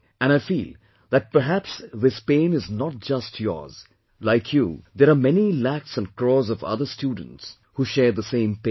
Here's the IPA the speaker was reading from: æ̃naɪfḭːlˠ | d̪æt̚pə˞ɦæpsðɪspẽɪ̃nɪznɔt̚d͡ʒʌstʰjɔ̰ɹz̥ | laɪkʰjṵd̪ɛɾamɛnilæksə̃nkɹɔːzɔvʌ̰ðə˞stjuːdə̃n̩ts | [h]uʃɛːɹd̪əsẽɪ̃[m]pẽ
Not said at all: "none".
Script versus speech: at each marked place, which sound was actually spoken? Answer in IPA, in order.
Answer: h, m

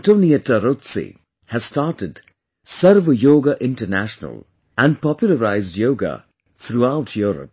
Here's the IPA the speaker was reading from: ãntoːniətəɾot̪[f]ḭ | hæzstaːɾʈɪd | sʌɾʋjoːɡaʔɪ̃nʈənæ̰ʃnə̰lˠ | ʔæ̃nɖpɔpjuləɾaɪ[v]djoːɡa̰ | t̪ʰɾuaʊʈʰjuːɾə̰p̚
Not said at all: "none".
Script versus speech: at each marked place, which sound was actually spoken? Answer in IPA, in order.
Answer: s, z

